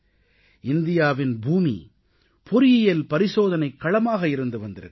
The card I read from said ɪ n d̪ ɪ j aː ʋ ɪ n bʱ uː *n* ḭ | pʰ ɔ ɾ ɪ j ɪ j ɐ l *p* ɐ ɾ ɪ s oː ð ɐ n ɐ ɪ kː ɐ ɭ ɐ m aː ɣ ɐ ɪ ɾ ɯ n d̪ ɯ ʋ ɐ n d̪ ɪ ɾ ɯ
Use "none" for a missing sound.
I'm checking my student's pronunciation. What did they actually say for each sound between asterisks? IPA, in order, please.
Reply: m, p

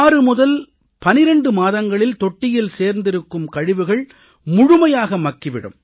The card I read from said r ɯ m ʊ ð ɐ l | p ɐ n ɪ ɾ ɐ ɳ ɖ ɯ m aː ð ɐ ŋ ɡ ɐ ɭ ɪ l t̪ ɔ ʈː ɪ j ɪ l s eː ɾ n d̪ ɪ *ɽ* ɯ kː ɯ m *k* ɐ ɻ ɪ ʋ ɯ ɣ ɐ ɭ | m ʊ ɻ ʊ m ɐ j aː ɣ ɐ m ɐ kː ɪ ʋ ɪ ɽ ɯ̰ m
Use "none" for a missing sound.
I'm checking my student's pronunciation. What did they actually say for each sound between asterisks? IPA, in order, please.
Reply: ɾ, k

